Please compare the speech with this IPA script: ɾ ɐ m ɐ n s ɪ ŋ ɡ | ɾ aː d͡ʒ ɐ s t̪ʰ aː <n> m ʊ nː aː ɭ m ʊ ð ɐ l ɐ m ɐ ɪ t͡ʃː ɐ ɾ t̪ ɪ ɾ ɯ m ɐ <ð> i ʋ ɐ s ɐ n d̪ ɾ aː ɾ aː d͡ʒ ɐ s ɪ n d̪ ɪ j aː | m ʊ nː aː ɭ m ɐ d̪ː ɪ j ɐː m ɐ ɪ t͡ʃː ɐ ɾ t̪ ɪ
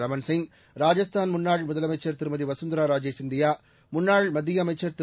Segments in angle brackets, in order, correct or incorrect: correct, correct

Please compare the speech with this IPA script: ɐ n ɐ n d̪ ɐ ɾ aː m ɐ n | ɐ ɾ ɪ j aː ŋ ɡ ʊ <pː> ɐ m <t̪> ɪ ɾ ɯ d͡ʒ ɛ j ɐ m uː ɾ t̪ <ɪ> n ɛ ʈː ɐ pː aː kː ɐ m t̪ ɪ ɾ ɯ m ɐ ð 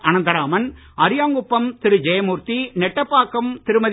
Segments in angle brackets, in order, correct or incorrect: correct, correct, incorrect: i

